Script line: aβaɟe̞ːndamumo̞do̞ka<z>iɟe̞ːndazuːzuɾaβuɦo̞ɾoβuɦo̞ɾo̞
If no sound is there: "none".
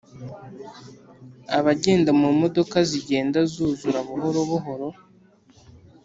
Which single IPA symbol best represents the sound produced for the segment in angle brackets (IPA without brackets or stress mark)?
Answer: z